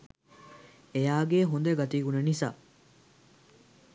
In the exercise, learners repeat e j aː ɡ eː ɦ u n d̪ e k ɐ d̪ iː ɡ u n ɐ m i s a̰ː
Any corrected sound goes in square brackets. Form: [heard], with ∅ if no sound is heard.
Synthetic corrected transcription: e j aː ɡ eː ɦ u n d̪ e [ɡ] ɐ [t̪] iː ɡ u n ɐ [n] i s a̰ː

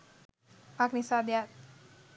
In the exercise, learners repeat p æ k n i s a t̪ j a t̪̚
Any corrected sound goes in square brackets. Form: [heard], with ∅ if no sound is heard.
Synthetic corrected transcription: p [a] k n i s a [d̪] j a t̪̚

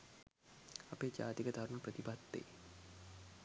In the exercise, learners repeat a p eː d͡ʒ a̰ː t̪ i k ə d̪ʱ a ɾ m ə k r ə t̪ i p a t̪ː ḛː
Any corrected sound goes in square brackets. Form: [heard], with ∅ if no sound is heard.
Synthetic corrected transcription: a p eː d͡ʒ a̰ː t̪ i k ə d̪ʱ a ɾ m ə [p] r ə t̪ i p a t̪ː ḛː

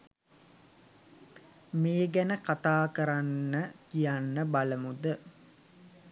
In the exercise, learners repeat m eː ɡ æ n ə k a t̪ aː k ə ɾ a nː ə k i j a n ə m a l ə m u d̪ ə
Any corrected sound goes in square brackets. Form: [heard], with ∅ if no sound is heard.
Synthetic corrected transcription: m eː ɡ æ n ə k a t̪ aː k ə ɾ a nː ə k i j a [nː] ə [b] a l ə m u d̪ ə

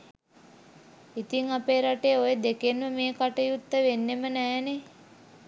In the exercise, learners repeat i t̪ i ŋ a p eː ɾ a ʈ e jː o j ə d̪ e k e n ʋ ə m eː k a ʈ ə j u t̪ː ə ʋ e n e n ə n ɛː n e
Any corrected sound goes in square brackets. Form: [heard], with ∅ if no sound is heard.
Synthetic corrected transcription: i t̪ i ŋ a p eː ɾ a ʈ e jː o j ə d̪ e k e n ʋ ə m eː k a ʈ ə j u t̪ː ə ʋ e [nː] e [m] ə n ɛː n e

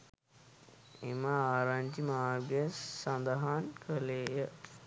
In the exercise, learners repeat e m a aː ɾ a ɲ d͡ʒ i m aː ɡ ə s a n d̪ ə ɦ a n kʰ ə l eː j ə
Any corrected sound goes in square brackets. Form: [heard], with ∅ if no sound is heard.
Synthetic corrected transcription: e m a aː ɾ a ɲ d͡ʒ i m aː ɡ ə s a n d̪ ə ɦ a n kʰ ə l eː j ə

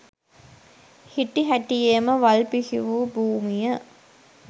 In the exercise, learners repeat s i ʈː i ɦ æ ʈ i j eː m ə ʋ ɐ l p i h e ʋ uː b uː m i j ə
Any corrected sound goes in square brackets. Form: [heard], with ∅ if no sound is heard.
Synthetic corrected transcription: [h] i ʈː i ɦ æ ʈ i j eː m ə ʋ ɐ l p i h [i] ʋ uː b uː m i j ə

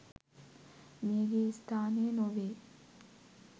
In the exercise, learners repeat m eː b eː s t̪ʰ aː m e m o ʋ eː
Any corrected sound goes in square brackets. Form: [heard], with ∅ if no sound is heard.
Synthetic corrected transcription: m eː [ɡ] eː s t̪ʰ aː [n] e [n] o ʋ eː

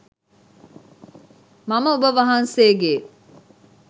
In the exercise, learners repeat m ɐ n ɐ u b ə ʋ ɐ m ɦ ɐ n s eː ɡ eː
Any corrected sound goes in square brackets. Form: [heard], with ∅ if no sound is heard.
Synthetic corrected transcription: m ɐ [m] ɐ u b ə ʋ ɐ [∅] ɦ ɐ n s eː ɡ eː

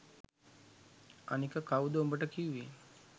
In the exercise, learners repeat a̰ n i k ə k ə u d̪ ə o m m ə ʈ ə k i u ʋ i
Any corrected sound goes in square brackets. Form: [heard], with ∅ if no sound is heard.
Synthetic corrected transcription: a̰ n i k ə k [a] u d̪ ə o m [b] ə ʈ ə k i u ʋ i

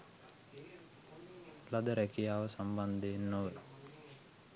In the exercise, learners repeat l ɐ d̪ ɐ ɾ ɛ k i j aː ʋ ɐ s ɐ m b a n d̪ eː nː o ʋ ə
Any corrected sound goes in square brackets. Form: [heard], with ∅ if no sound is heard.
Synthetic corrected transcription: l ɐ d̪ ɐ ɾ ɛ k i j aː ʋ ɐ s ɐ m b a n d̪ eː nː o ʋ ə

